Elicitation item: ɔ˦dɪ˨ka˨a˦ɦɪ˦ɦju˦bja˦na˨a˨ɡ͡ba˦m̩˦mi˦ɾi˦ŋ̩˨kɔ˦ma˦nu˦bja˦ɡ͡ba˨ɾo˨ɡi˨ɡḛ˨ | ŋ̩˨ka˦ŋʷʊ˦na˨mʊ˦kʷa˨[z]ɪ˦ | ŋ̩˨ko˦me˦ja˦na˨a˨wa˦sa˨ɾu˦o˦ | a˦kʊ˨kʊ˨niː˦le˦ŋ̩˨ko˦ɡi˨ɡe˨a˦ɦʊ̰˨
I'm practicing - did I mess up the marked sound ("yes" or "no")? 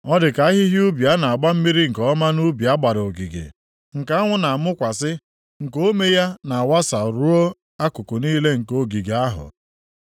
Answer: yes